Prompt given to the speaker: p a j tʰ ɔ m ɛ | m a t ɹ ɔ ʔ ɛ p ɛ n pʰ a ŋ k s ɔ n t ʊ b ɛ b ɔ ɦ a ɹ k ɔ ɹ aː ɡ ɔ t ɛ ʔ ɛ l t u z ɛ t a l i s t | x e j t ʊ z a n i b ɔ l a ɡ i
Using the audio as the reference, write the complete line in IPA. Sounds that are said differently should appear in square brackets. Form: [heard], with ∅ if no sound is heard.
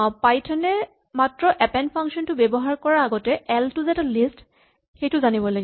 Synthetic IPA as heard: p a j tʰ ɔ [n] ɛ | m a t ɹ ɔ ʔ ɛ p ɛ n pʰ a ŋ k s ɔ n t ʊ b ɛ b ɔ ɦ a ɹ k ɔ ɹ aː ɡ ɔ t ɛ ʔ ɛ l t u z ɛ t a l i s t | x e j t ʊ z a n i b ɔ l a ɡ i